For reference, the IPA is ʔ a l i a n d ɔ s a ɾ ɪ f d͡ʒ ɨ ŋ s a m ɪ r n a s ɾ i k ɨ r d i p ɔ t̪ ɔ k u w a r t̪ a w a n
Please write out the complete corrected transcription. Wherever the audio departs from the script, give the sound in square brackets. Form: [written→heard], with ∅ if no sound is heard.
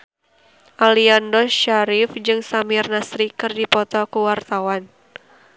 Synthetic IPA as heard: ʔ a l i a n d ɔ [s→ʃ] a ɾ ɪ f d͡ʒ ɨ ŋ s a m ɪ r n a s ɾ i k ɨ r d i p ɔ t̪ ɔ k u w a r t̪ a w a n